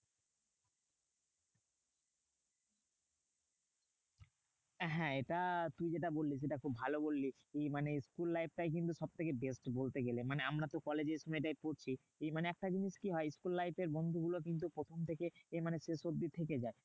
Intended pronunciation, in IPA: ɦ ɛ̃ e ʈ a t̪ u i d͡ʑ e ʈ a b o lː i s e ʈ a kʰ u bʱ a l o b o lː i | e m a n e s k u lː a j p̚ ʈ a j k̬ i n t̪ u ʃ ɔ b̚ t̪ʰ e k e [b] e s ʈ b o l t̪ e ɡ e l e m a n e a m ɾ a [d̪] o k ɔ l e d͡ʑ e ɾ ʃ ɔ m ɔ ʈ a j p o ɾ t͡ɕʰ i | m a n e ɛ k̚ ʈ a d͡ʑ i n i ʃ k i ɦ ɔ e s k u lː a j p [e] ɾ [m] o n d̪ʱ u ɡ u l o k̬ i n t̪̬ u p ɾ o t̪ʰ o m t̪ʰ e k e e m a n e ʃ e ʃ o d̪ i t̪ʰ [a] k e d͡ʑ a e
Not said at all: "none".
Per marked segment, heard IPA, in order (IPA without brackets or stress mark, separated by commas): b, t̪, e, b, e